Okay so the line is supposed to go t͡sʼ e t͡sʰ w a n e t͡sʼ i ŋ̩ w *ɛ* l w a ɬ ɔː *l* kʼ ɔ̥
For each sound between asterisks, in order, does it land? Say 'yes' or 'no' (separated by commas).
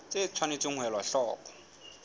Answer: yes, no